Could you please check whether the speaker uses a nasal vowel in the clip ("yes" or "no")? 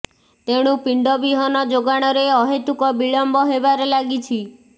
no